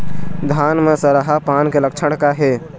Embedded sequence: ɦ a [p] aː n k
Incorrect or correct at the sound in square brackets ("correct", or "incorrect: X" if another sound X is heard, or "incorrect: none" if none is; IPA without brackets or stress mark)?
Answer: correct